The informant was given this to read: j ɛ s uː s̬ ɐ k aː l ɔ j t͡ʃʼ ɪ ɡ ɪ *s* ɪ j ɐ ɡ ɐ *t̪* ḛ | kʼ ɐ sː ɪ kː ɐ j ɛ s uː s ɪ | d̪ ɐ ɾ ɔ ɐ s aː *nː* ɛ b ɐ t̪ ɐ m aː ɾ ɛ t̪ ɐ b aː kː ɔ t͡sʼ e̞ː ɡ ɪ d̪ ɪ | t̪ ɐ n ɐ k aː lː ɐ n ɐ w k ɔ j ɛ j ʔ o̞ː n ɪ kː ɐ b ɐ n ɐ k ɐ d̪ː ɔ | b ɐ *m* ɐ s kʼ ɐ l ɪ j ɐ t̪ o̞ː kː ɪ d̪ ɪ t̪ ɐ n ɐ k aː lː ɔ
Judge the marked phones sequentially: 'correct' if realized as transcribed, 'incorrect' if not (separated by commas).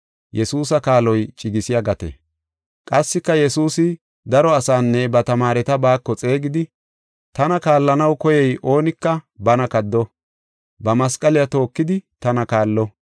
correct, correct, correct, correct